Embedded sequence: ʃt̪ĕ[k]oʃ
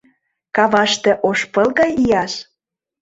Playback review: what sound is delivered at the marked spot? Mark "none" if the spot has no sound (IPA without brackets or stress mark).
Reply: ʔ